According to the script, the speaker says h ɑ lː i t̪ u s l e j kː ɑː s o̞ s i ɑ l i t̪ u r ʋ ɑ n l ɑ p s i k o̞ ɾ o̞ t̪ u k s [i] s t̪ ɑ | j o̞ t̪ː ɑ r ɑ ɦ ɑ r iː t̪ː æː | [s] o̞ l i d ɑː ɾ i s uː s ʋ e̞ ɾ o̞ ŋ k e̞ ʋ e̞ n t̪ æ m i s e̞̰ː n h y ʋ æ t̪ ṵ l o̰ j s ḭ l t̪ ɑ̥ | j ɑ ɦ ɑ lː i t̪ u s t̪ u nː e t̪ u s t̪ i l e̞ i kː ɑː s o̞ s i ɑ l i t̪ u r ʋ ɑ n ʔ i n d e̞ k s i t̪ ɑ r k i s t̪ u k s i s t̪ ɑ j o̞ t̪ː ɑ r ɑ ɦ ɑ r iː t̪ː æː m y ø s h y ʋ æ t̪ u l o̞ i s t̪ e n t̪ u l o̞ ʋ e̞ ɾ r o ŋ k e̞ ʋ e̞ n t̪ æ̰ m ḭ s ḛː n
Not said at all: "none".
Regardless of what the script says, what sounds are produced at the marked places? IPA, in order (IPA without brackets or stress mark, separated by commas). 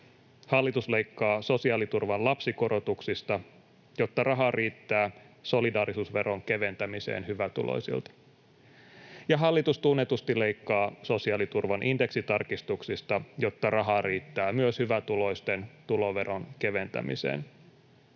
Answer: i, s